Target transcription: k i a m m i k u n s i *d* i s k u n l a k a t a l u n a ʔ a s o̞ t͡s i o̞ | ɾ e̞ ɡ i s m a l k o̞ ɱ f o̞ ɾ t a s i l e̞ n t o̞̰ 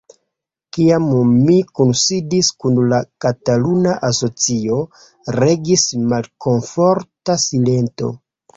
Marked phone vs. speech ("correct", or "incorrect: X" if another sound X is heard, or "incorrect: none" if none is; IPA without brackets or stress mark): correct